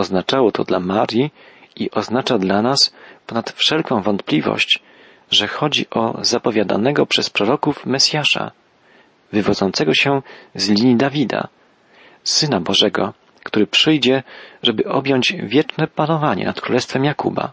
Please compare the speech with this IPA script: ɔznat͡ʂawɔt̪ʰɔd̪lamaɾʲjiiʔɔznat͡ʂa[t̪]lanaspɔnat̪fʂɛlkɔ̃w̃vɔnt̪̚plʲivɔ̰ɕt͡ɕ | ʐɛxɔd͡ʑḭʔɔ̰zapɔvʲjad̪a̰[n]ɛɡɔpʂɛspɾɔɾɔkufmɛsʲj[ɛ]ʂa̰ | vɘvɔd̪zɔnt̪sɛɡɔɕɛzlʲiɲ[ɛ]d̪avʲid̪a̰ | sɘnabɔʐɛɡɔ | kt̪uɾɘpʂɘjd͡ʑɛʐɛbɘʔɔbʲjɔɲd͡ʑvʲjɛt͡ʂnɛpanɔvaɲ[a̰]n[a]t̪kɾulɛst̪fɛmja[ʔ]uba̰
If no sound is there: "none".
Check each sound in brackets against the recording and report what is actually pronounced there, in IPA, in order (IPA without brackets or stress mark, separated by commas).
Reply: d̪, n, a, i, ɛ̰, a, k